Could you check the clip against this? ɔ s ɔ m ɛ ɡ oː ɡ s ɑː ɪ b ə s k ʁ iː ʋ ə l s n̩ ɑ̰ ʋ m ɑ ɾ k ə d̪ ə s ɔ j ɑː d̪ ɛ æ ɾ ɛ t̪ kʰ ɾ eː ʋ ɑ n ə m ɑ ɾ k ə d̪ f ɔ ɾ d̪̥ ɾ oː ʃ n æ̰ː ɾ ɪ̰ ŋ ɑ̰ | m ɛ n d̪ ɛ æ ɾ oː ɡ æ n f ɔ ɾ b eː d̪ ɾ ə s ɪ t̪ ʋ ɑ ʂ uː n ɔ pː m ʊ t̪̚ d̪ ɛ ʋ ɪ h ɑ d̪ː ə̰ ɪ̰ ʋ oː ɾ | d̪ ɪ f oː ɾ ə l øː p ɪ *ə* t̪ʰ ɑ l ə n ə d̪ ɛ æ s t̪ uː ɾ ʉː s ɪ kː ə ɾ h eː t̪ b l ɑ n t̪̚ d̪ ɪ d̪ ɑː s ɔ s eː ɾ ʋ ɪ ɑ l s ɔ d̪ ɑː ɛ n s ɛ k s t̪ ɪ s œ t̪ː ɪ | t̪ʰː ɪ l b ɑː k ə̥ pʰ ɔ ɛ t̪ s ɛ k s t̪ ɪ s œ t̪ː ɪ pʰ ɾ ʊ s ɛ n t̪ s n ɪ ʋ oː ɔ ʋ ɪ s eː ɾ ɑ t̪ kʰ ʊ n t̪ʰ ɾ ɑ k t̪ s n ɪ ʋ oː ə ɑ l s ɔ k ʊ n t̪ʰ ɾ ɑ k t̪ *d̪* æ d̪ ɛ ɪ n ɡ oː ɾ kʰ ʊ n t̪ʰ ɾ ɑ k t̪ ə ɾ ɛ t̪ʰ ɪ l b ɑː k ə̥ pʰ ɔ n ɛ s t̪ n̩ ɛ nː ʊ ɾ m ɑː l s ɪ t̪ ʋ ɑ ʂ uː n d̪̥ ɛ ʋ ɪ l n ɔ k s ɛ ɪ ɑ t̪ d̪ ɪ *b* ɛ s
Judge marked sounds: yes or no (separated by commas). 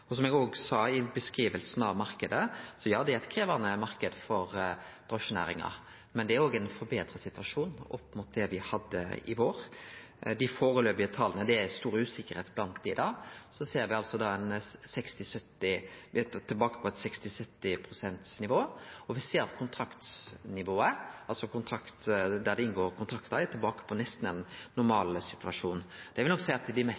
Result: yes, yes, no